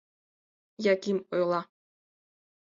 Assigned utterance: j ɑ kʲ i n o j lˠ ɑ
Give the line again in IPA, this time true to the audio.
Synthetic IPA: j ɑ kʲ i m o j lˠ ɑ

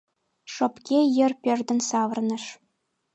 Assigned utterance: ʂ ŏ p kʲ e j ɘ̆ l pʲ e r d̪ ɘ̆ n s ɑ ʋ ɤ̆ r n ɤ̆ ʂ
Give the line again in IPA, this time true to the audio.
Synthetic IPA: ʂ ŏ p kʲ e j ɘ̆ r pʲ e r d̪ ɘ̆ n s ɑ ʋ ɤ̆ r n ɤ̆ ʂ

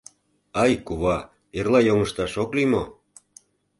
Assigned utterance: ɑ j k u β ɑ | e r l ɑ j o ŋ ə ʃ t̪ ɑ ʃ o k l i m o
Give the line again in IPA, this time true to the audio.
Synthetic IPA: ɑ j k u β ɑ | e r l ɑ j o ŋ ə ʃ t̪ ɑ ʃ o k l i m o

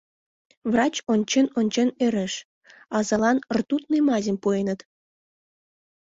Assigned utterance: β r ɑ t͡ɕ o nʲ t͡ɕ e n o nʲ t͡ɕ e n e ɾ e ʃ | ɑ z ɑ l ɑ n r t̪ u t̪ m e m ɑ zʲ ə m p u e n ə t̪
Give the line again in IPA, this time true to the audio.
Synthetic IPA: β r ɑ t͡ɕ o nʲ t͡ɕ e n o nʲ t͡ɕ e n e ɾ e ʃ | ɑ z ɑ l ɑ n r t̪ u t̪ n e m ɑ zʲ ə m p u e n ə t̪

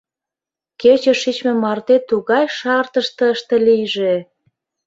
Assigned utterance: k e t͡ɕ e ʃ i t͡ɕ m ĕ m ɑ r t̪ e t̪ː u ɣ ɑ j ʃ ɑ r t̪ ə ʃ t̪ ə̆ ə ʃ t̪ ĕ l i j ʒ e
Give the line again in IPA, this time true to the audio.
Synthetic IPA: k e t͡ɕ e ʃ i t͡ɕ m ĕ m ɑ r t̪ e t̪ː u ɣ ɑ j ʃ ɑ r t̪ ə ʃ t̪ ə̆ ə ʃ t̪ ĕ l i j ʒ e

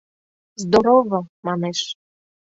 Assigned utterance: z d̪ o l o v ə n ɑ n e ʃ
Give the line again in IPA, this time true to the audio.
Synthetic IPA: z d̪ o ɾ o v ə m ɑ n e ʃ

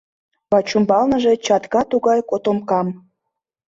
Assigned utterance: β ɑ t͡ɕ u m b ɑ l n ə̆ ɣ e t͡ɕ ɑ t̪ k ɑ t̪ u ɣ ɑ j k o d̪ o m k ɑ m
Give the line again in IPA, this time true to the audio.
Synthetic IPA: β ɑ t͡ɕ u m b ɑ l n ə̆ ʒ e t͡ɕ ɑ t̪ k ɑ t̪ u ɣ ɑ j k o t̪ o m k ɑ m

